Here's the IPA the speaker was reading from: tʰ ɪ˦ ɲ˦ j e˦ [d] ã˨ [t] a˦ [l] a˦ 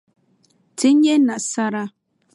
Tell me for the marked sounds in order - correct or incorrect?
incorrect, incorrect, incorrect

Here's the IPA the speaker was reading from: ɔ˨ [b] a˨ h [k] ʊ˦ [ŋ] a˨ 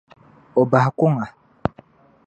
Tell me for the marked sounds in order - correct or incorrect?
correct, correct, correct

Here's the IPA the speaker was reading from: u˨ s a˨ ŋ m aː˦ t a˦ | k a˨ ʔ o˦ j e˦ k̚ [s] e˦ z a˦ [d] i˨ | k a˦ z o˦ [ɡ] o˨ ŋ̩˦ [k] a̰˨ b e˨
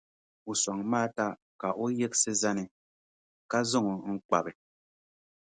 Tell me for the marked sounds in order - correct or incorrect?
correct, incorrect, incorrect, incorrect

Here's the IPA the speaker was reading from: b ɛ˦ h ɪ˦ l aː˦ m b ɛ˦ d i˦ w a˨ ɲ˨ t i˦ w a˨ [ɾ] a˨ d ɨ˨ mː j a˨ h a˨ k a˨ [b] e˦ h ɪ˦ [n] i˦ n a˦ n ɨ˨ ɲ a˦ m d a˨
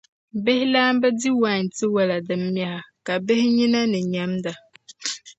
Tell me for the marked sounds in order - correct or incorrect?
incorrect, correct, incorrect

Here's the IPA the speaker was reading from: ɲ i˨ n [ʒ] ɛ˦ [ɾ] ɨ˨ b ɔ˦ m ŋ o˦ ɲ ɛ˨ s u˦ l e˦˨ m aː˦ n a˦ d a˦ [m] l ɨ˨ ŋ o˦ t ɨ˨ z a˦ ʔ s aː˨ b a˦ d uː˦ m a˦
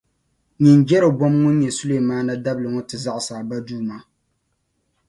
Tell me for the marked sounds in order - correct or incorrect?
incorrect, correct, incorrect

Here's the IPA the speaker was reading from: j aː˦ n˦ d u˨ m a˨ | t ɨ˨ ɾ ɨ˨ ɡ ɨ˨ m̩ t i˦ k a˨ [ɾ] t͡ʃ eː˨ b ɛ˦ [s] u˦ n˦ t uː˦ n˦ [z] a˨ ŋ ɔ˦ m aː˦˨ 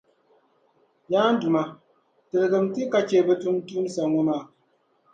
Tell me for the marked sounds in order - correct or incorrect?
incorrect, incorrect, incorrect

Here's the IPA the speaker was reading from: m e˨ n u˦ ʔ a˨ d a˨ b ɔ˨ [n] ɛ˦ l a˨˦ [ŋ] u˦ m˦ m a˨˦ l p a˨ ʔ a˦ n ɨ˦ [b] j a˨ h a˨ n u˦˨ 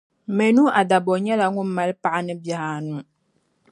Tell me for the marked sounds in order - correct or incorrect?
incorrect, correct, correct

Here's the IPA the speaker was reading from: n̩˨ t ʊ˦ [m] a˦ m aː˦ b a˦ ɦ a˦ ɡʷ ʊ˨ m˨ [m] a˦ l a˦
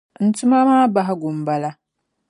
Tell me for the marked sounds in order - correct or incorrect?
correct, incorrect

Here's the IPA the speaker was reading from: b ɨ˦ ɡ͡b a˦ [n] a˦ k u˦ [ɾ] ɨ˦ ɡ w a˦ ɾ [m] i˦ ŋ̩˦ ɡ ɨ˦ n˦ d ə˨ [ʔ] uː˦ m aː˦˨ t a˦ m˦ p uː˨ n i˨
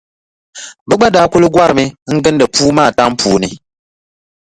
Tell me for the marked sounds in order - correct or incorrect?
incorrect, incorrect, correct, incorrect

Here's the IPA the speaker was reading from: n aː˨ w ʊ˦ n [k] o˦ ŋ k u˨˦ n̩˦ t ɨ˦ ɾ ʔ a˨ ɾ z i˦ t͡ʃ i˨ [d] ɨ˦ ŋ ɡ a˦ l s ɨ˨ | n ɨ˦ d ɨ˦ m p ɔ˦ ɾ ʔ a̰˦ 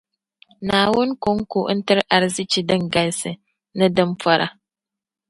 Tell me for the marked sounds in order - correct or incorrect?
correct, correct

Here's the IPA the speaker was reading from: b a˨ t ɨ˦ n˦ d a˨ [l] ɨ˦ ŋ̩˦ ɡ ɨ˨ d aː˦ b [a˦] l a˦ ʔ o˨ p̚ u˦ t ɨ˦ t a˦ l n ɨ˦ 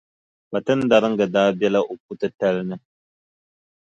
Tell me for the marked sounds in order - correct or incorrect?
incorrect, incorrect

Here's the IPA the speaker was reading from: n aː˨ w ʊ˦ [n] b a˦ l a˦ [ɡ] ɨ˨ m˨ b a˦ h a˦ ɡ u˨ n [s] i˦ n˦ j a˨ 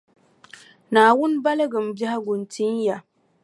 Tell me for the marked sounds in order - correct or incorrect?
correct, correct, incorrect

